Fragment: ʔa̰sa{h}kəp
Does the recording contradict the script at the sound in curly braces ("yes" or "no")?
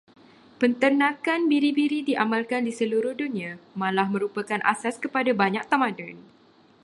yes